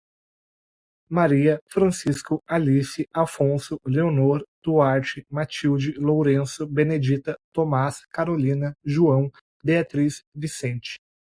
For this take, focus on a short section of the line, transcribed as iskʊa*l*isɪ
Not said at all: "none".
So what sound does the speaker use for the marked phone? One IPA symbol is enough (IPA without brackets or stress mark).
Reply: l